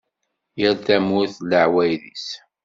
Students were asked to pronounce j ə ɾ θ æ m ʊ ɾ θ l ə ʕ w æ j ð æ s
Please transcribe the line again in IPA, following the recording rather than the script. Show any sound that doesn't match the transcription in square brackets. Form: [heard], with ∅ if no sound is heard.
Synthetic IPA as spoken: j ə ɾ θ æ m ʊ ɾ θ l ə ʕ w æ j ð [i] s